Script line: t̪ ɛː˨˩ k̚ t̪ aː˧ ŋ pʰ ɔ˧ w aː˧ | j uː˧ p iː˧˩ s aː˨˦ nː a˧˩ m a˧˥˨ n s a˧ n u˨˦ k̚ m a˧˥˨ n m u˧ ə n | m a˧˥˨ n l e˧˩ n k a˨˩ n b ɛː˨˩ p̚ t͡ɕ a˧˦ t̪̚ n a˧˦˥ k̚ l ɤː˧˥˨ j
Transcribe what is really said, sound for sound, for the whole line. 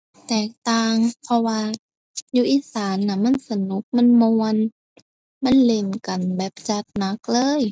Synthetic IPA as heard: t̪ ɛː˨˩ k̚ t̪ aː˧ ŋ pʰ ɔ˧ w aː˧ | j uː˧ ʔ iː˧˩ s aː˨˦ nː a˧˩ m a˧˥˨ n s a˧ n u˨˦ k̚ m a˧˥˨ n m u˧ ə n | m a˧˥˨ n l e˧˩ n k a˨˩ n b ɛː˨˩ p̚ t͡ɕ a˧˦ t̪̚ n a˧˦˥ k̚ l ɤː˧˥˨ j